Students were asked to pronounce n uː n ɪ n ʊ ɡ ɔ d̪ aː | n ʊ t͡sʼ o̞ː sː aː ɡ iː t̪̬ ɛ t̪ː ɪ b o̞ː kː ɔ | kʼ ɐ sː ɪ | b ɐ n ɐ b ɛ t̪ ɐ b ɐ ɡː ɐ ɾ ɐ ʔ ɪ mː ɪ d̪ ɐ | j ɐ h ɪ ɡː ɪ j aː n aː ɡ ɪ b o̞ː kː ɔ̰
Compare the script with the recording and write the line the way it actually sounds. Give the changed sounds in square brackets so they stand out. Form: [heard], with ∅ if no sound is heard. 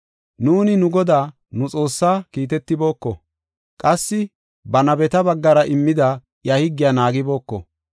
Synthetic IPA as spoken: n uː n ɪ n ʊ ɡ ɔ d̪ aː | n ʊ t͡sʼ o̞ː sː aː [k] iː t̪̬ ɛ t̪ː ɪ b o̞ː kː ɔ | kʼ ɐ sː ɪ | b ɐ n ɐ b ɛ t̪ ɐ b ɐ ɡː ɐ ɾ ɐ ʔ ɪ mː ɪ d̪ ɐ | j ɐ h ɪ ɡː ɪ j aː n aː ɡ ɪ b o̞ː kː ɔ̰